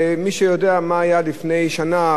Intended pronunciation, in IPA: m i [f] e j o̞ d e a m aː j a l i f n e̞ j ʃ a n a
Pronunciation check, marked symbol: incorrect: ʃ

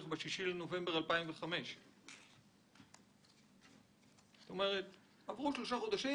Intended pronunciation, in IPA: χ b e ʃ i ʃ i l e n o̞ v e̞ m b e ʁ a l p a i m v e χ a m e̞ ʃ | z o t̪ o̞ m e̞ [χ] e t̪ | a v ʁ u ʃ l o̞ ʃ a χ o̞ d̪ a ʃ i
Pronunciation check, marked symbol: incorrect: ʁ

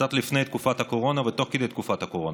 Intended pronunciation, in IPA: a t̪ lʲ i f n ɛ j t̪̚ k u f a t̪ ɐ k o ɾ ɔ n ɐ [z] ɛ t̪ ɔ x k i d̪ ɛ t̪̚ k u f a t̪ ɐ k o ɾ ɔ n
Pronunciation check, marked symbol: incorrect: v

